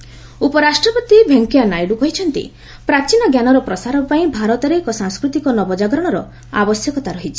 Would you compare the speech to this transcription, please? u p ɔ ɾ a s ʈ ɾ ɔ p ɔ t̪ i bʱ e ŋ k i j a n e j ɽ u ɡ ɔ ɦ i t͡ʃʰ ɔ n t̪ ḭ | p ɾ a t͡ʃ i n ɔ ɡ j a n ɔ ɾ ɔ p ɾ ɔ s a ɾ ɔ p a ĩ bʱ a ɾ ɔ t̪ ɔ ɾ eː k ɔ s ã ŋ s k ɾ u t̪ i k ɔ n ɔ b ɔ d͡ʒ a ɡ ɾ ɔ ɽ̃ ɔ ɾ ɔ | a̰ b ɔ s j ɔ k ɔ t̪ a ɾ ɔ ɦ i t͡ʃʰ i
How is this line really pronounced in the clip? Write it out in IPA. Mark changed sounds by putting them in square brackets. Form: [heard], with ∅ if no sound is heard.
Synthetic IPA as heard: u p ɔ ɾ a s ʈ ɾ ɔ p ɔ t̪ i bʱ e ŋ k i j a n [a] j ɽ u [k] ɔ ɦ i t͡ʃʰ ɔ n t̪ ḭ | p ɾ a t͡ʃ i n ɔ ɡ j a n ɔ ɾ ɔ p ɾ ɔ s a ɾ ɔ p a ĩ bʱ a ɾ ɔ t̪ ɔ ɾ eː k ɔ s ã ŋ s k ɾ u t̪ i k ɔ n ɔ b ɔ d͡ʒ a ɡ ɾ ɔ ɽ̃ ɔ ɾ ɔ | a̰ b ɔ s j ɔ k ɔ t̪ a ɾ ɔ ɦ i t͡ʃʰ i